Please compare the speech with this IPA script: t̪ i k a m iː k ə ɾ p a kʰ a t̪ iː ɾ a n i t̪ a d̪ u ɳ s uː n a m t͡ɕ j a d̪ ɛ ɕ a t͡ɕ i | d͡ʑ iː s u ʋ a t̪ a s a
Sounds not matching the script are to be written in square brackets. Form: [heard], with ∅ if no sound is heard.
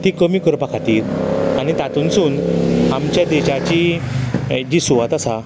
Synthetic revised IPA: t̪ i k [ə] m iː k ə ɾ p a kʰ a t̪ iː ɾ a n i t̪ a [t̪] u [n] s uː n a m t͡ɕ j a d̪ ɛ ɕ a t͡ɕ i | d͡ʑ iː s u ʋ a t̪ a s a